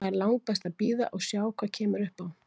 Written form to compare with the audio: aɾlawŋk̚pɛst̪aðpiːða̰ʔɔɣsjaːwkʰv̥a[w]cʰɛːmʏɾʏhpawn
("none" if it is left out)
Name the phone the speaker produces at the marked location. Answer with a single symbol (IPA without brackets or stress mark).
none